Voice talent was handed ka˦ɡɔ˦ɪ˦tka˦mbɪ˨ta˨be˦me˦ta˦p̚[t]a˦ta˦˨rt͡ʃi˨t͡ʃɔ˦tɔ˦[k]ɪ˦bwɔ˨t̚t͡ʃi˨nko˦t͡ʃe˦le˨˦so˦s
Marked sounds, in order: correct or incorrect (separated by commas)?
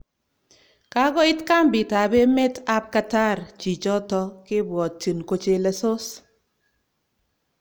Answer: incorrect, correct